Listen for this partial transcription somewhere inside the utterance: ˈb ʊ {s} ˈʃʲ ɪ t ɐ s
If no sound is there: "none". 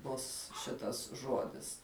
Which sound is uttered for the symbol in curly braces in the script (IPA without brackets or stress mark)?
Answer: s